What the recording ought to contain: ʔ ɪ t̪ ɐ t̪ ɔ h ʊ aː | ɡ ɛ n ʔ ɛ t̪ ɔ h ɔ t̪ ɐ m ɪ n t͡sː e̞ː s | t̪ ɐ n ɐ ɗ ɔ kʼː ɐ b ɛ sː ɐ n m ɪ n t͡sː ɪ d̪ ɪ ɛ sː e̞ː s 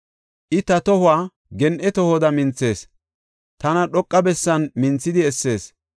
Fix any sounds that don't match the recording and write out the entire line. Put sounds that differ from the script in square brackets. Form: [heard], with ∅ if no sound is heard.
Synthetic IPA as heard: ʔ ɪ t̪ ɐ t̪ ɔ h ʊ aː | ɡ ɛ n ʔ ɛ t̪ ɔ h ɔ [d̪] ɐ m ɪ n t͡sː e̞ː s | t̪ ɐ n ɐ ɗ ɔ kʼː ɐ b ɛ sː ɐ n m ɪ n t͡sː ɪ d̪ ɪ ɛ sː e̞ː s